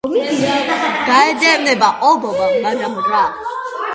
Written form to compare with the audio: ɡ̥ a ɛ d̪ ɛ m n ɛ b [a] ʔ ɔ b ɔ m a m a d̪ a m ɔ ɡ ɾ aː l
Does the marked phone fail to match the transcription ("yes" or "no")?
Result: no